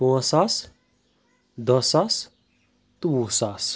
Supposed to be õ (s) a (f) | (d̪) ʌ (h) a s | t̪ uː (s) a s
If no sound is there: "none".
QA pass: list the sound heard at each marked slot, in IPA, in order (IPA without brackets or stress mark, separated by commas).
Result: s, s, d̪, s, s